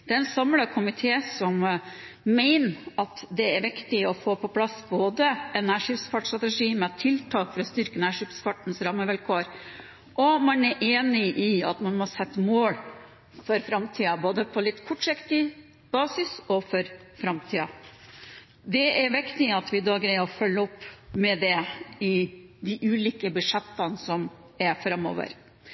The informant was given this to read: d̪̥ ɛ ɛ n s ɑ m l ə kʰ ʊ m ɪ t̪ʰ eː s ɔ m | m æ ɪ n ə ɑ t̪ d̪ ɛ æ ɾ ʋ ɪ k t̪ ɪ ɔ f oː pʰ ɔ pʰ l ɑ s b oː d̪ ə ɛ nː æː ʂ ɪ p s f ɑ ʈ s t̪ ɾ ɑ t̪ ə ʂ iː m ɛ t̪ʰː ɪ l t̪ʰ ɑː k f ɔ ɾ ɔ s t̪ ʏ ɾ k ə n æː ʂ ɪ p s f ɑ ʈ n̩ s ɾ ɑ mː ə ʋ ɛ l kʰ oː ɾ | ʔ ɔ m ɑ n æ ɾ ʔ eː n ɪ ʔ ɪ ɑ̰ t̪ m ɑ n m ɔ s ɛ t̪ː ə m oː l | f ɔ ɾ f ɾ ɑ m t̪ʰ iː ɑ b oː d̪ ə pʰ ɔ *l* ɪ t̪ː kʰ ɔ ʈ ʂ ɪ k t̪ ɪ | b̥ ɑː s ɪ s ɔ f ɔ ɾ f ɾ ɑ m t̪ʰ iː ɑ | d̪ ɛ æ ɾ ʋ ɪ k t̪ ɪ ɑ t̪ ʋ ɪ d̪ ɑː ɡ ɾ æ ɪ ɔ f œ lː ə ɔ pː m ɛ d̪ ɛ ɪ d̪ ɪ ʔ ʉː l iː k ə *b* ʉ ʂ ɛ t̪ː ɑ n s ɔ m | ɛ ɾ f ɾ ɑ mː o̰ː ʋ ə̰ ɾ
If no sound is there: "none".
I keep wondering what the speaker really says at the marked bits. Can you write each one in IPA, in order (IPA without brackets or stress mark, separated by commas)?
l, b